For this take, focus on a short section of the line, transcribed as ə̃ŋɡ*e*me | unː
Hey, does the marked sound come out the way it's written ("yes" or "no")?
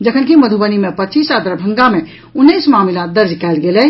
no